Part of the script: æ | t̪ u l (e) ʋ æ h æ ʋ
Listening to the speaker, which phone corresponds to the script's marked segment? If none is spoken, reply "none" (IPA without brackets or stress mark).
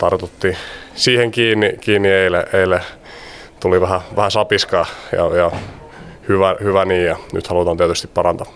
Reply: i